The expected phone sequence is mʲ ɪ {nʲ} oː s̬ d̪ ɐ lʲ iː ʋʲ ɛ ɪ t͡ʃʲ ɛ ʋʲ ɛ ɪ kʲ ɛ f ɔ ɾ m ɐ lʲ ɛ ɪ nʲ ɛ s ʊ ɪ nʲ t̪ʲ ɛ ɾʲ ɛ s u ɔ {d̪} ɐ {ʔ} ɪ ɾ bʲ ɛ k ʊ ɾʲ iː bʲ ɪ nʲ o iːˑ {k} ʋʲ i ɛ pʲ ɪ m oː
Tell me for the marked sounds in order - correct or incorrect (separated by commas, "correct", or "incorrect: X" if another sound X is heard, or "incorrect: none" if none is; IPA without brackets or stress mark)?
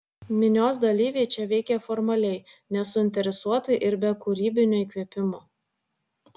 correct, incorrect: t̪, correct, correct